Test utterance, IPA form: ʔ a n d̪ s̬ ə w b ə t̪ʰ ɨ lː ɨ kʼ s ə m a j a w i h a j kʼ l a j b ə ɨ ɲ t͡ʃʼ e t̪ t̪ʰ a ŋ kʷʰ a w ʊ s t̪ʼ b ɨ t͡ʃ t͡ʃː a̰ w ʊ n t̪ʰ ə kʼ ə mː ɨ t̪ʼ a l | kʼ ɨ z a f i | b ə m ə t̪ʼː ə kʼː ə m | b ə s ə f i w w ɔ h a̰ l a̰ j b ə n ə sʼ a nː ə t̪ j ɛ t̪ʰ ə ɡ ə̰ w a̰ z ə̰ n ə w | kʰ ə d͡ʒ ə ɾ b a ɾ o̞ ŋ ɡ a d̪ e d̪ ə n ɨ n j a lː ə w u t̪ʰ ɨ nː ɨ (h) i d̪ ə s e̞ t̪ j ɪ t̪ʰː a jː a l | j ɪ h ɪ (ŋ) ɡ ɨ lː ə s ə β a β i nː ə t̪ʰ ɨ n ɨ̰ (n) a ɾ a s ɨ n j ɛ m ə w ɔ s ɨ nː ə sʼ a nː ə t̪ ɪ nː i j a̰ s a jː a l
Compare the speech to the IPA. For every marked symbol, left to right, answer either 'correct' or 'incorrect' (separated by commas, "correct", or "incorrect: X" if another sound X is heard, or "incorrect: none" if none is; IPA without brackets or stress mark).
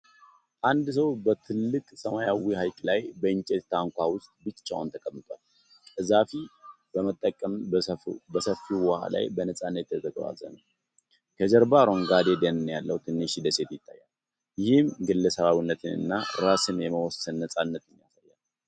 incorrect: ʃ, incorrect: m, incorrect: nː